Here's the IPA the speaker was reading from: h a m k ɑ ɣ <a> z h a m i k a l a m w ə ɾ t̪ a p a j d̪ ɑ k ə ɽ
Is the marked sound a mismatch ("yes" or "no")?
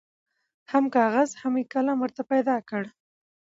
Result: no